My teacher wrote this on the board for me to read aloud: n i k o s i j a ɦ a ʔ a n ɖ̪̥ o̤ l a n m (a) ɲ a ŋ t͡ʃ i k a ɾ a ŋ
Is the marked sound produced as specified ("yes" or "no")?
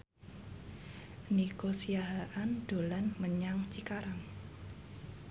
no